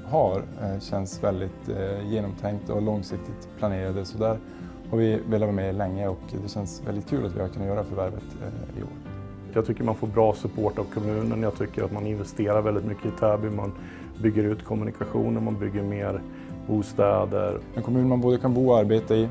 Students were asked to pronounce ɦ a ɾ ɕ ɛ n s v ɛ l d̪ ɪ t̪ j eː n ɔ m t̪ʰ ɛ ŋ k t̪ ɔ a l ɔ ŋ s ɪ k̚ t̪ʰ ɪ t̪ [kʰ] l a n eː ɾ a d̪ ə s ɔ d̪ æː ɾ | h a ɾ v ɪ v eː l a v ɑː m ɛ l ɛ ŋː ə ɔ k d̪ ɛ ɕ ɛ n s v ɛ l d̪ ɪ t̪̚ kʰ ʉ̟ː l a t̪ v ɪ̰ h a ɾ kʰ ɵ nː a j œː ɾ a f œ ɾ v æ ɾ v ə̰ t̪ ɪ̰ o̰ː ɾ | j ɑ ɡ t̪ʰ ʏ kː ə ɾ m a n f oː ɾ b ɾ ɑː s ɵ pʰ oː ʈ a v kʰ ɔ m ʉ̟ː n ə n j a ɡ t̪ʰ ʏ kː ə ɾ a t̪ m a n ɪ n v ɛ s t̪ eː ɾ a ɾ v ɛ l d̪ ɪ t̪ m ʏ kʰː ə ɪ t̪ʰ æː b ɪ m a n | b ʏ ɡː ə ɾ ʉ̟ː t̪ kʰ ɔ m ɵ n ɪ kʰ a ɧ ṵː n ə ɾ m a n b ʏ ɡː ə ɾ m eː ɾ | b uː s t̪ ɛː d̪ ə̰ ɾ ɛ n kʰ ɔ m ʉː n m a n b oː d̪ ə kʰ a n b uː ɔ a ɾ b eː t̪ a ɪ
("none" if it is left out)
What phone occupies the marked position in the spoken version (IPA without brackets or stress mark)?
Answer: pʰ